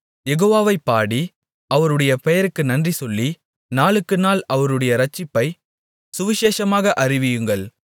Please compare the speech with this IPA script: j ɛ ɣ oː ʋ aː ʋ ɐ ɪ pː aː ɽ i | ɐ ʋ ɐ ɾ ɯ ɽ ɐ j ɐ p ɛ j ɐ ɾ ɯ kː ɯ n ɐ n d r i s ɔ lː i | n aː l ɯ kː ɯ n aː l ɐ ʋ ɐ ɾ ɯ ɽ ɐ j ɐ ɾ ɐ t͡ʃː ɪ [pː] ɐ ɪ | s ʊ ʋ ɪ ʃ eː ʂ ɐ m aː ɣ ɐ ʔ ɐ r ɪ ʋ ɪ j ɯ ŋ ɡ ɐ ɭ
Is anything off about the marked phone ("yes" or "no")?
no